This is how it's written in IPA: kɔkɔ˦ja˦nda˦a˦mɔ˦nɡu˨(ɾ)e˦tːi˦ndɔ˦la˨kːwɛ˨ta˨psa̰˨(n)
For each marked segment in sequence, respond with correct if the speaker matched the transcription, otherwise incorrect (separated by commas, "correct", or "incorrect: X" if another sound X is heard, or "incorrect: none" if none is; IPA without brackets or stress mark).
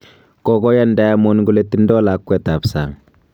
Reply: incorrect: l, incorrect: ŋ